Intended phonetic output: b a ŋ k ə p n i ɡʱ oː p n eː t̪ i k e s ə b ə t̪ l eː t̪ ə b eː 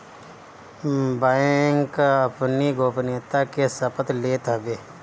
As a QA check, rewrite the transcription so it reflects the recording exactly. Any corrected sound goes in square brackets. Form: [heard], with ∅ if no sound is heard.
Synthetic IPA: b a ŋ k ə p n i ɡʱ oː p n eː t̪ [a] k e s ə [p] ə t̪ l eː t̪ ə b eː